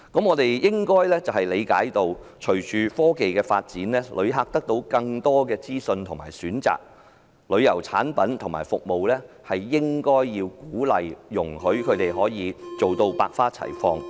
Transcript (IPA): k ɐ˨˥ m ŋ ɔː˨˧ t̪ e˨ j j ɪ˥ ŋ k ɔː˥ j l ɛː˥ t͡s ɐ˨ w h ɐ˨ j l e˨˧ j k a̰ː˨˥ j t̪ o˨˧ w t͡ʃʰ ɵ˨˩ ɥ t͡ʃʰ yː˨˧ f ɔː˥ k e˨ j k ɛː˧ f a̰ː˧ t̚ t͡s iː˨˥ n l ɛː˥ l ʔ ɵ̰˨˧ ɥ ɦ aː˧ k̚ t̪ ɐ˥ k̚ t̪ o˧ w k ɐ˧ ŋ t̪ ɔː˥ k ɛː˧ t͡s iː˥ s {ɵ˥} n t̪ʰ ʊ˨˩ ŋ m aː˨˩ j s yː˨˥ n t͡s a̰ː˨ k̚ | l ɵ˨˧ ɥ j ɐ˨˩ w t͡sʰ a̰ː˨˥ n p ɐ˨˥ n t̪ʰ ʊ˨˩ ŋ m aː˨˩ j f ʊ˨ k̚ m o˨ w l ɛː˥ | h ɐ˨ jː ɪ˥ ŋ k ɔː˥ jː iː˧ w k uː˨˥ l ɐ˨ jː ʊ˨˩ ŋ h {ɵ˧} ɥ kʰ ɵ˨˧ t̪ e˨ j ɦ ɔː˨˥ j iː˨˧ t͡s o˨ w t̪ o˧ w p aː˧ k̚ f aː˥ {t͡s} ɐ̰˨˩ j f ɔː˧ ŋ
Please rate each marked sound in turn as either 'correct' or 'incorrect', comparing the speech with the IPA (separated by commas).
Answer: incorrect, incorrect, incorrect